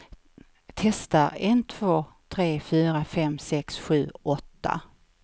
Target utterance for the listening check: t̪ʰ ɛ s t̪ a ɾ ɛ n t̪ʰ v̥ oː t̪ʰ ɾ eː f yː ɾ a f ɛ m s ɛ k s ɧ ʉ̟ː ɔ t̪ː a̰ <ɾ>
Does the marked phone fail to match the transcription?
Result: yes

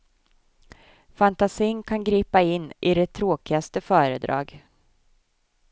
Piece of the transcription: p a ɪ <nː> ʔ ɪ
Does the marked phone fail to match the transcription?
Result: no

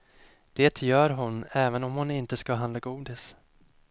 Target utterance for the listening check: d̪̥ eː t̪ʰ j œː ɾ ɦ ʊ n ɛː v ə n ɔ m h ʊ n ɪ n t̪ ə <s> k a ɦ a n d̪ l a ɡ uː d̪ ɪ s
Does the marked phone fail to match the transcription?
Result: no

